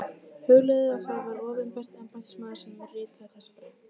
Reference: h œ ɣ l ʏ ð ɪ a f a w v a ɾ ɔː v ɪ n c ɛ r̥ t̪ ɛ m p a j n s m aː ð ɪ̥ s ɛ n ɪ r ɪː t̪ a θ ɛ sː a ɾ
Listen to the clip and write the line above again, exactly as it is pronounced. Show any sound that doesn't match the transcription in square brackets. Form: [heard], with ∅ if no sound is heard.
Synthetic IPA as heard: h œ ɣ l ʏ ð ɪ a f a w v a ɾ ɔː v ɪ n [p] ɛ r̥ t̪ ɛ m p a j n s m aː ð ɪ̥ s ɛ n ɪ r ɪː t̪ a θ ɛ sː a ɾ